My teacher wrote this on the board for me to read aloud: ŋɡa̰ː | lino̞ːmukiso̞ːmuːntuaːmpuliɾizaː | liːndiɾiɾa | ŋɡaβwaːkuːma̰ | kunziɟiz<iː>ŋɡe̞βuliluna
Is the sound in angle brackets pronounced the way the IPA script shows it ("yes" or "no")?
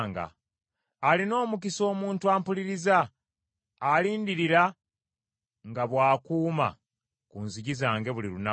no